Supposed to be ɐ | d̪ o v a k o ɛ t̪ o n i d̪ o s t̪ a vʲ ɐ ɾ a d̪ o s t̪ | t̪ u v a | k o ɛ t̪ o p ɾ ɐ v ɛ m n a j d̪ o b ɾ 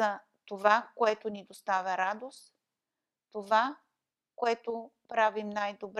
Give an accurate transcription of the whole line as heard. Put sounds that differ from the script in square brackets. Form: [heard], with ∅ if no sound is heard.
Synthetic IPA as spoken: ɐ | [t̪] o v a k o ɛ t̪ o n i d̪ o s t̪ a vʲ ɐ ɾ a d̪ o s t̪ | t̪ [o] v a | k o ɛ t̪ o p ɾ [a] v [i] m n a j d̪ o b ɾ